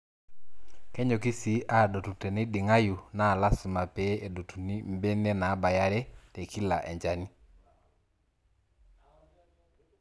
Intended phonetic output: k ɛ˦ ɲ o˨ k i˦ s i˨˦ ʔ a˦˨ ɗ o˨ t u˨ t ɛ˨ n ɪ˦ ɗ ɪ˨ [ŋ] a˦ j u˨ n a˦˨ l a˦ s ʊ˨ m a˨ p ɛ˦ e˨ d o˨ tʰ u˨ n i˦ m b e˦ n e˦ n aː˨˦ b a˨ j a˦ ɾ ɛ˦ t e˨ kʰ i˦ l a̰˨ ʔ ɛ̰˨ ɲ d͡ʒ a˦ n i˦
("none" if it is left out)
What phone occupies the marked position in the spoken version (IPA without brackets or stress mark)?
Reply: ŋ